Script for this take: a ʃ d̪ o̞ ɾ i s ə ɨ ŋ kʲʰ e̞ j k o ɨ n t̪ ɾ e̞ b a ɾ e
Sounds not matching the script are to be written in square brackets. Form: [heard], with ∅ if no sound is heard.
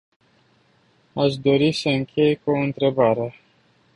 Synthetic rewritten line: a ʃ d̪ o̞ ɾ i s ə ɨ ŋ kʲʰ e̞ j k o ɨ n t̪ ɾ e̞ b a ɾ e